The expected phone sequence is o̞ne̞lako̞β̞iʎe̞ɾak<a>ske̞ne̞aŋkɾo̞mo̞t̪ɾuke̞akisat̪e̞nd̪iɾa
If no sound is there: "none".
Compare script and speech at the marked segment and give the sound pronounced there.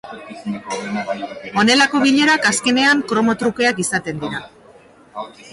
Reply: a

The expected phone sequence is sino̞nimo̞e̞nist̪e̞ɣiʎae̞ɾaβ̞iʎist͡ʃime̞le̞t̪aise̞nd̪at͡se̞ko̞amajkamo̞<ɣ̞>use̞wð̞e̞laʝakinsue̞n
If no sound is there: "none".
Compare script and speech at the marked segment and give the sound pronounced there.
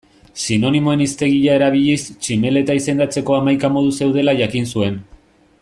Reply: ð̞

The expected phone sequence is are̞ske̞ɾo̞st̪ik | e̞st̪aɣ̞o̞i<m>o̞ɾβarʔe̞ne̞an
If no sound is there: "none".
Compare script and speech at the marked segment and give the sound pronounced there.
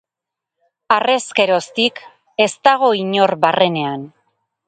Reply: ɲ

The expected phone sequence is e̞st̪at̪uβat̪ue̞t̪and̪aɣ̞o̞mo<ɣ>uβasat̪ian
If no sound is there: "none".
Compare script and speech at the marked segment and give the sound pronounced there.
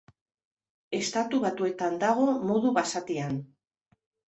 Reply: ð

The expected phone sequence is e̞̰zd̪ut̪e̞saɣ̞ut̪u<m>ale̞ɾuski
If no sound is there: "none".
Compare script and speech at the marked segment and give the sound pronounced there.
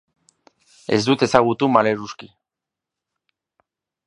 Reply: m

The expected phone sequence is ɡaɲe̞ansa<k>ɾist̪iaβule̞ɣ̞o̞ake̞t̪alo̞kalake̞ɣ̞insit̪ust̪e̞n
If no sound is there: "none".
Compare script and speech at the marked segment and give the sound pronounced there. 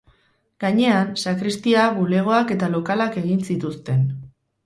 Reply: k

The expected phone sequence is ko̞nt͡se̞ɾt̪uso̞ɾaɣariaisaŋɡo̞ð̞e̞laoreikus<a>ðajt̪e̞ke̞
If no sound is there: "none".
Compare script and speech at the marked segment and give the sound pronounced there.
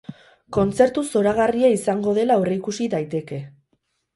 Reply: i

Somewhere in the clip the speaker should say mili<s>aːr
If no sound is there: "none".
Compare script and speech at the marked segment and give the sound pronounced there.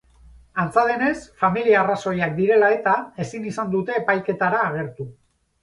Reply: none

